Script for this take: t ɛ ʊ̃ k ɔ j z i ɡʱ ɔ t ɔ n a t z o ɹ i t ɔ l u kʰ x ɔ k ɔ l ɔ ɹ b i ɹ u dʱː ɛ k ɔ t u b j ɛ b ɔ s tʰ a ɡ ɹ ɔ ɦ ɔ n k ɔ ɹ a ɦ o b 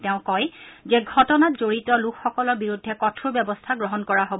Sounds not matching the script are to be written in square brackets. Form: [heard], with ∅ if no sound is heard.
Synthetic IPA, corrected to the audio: t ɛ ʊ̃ k ɔ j z [ɛ] ɡʱ ɔ t ɔ n a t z o ɹ i t ɔ l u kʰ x ɔ k ɔ l ɔ ɹ b i ɹ u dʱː ɛ k ɔ [tʰ] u b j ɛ b ɔ s tʰ a ɡ ɹ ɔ ɦ ɔ n k ɔ ɹ a ɦ o b

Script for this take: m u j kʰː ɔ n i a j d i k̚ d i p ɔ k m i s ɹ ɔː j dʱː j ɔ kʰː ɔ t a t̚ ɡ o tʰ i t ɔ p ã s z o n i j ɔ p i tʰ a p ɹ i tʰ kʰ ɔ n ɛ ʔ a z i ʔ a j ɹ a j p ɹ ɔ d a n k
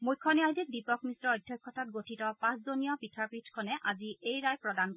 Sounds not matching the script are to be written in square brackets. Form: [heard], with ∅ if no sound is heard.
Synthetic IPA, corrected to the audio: m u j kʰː ɔ n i a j d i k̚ d i p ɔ k m i s ɹ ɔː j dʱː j ɔ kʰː ɔ t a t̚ ɡ o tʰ i t ɔ p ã s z o n i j ɔ p i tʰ a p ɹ i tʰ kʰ ɔ n ɛ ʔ a z i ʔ [e] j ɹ a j p ɹ ɔ d a n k

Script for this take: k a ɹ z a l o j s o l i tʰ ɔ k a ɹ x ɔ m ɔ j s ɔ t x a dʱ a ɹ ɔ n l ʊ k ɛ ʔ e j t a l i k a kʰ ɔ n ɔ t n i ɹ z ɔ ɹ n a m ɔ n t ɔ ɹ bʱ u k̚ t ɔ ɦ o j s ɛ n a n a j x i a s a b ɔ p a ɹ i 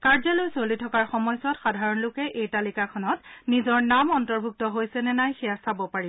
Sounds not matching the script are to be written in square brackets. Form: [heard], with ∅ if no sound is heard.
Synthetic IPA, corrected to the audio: k a ɹ z a l o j s o l i tʰ ɔ k a ɹ x ɔ m ɔ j s ɔ t x a dʱ a ɹ ɔ n l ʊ k ɛ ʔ e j t a l i k a kʰ ɔ n ɔ t n i [∅] z ɔ ɹ n a m ɔ n t ɔ ɹ bʱ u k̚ t ɔ ɦ o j s ɛ n [ɛ] n a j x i a s a b ɔ p a ɹ i

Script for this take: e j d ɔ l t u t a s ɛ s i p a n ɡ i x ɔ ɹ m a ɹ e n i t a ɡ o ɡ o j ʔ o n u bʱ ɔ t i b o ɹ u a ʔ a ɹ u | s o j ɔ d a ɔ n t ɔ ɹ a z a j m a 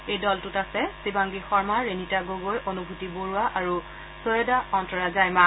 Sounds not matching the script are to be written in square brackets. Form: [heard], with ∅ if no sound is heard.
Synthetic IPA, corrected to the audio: e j d ɔ l t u t a s ɛ s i [b] a [ŋ] ɡ i x ɔ ɹ m a ɹ e n i t a ɡ o ɡ o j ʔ o n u bʱ [u] t i b o ɹ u a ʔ a ɹ u | s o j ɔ d a ɔ n t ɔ ɹ a z a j m a

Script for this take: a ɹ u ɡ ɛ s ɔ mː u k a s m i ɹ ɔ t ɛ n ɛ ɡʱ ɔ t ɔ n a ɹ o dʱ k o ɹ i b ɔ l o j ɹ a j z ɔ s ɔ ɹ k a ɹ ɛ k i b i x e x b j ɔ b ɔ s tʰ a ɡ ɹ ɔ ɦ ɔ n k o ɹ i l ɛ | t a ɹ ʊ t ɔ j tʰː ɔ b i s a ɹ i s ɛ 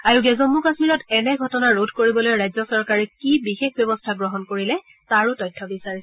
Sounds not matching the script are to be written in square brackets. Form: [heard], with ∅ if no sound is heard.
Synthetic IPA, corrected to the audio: a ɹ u ɡ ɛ [z] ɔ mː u k a s m i ɹ ɔ t ɛ n ɛ ɡʱ ɔ t ɔ n a ɹ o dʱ k o ɹ i b ɔ l o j ɹ a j z ɔ s ɔ ɹ k a ɹ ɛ k i b i x e x b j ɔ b ɔ s tʰ a ɡ ɹ ɔ ɦ ɔ n k o ɹ i l ɛ | t a ɹ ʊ t ɔ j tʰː ɔ b i s a ɹ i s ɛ

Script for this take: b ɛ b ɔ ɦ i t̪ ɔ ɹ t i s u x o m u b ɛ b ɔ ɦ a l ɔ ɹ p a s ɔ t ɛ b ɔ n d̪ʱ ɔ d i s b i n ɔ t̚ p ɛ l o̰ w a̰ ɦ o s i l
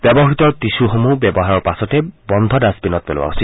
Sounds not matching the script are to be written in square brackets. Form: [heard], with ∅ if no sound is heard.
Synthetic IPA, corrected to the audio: b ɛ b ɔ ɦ i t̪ ɔ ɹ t i s u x o m u b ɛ b ɔ ɦ a [ɹ] ɔ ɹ p a s ɔ t ɛ b ɔ n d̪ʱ ɔ d [a] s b i n ɔ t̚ p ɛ l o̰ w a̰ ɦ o s i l

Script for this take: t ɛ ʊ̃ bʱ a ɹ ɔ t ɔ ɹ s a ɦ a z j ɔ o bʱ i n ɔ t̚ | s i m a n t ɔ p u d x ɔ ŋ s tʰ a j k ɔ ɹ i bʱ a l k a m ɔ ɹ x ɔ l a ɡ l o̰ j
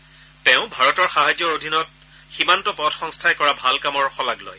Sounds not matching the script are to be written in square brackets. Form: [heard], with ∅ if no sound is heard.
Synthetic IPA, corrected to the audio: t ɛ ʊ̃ bʱ a ɹ ɔ t ɔ ɹ [x] a ɦ a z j ɔ o [dʱ] i n ɔ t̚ | [x] i m a n t ɔ p [ɔ] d x ɔ ŋ s tʰ a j k ɔ ɹ [a] bʱ a l k a m ɔ ɹ x ɔ l a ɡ l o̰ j

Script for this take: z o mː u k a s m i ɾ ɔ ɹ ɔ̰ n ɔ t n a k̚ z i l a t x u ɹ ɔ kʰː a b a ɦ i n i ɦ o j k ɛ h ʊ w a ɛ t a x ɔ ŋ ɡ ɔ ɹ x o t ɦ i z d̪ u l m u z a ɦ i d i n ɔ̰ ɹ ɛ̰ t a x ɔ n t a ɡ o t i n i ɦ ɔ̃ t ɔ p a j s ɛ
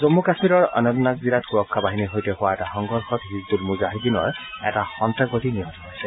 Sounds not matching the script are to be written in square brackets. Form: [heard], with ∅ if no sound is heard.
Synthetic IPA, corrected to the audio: z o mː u k a s m i ɾ ɔ ɹ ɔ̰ n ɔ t n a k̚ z i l a t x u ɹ ɔ kʰː a b a ɦ i n i ɦ o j [t] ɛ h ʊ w a ɛ t a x ɔ ŋ ɡ ɔ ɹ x [ɔ] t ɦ i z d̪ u l m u z a ɦ i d i n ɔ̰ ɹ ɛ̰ t a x ɔ n t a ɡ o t i n i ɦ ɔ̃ t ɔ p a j s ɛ

